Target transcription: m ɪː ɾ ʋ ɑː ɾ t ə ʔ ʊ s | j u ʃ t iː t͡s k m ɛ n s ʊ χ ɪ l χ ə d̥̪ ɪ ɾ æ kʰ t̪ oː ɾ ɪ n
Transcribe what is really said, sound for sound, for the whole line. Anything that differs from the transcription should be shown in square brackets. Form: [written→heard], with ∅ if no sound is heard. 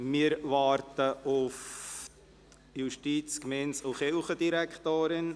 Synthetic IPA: m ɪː ɾ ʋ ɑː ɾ t ə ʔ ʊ [s→f] | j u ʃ t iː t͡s k m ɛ n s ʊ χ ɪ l χ ə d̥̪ [ɪ→i] ɾ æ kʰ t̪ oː ɾ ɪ n